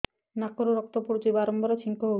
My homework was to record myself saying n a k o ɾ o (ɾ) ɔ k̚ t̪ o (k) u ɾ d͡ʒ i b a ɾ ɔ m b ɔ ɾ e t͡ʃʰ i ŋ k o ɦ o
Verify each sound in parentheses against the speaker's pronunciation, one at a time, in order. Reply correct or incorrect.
correct, incorrect

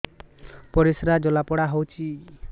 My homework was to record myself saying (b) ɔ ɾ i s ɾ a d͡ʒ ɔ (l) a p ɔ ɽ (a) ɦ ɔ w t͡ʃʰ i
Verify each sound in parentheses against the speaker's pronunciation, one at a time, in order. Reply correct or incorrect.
incorrect, correct, correct

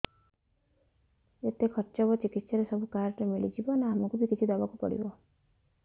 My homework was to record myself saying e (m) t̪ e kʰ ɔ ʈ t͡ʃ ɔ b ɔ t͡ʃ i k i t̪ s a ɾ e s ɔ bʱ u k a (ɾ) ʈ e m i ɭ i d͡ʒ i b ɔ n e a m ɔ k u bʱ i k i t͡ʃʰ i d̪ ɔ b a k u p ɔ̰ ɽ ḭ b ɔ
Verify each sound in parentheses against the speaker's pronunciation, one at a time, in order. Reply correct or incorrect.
incorrect, correct

